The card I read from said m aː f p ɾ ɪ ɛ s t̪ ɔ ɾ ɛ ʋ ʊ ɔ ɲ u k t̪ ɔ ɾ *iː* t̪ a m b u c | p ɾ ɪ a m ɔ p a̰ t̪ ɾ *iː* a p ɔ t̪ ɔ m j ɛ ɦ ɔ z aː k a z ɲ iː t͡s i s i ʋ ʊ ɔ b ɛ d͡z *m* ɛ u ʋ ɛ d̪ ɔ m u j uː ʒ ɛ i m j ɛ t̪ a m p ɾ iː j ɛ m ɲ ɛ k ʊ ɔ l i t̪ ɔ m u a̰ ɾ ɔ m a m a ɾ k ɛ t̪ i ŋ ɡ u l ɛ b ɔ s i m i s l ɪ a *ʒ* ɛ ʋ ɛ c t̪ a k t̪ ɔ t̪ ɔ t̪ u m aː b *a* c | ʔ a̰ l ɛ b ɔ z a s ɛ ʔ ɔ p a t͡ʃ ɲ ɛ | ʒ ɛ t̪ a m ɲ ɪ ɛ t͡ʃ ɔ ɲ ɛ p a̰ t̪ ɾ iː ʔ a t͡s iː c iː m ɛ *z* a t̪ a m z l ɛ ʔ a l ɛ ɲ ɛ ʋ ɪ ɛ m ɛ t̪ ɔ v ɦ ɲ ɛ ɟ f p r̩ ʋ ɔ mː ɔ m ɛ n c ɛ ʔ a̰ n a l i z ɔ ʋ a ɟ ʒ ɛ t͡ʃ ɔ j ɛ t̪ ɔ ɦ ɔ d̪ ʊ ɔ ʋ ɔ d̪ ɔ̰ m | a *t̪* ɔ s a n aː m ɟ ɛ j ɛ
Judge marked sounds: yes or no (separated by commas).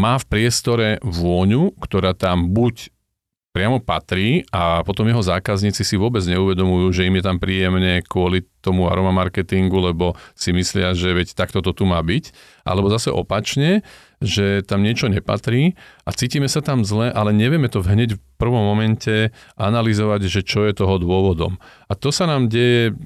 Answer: no, yes, no, yes, no, no, yes